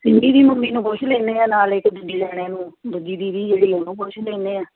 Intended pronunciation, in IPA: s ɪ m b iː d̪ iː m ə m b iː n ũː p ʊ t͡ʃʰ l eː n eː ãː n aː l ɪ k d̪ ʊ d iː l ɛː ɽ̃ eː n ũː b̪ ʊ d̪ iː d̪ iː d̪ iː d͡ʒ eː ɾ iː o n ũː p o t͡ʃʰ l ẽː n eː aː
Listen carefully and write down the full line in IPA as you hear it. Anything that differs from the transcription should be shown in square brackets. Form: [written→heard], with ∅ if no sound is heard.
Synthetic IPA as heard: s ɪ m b iː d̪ iː m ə m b iː n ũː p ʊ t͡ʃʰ l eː n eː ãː n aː l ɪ k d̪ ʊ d iː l ɛː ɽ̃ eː n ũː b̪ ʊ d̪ iː d̪ iː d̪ iː d͡ʒ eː [ɾ→ɽ] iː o n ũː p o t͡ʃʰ l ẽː n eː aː